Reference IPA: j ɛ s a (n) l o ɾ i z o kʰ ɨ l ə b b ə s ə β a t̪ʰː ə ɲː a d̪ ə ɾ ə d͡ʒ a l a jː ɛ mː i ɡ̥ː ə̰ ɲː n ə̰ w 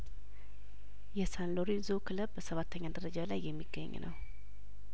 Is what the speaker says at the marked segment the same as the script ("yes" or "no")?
yes